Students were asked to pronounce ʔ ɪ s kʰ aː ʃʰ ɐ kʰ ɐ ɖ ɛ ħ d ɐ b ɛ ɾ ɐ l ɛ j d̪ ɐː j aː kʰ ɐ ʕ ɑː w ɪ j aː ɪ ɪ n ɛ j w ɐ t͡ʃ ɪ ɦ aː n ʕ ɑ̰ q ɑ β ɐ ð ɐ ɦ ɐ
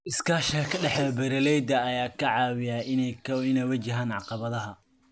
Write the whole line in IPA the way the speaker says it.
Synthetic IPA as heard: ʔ ɪ s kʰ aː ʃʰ ɐ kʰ ɐ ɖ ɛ ħ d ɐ b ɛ ɾ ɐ l ɛ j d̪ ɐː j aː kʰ ɐ ʕ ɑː w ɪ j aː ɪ ɪ n ɛ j w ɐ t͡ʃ ɪ ɦ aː n ʕ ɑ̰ q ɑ β ɐ ð ɐ ɦ ɐ